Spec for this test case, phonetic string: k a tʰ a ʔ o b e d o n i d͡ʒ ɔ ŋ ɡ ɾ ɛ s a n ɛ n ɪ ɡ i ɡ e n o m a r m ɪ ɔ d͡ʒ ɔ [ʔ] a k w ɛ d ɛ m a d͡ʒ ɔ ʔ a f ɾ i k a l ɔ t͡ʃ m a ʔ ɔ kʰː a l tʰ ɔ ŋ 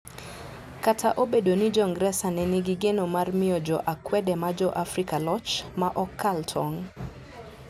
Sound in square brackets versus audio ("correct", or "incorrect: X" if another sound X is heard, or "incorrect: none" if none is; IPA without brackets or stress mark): correct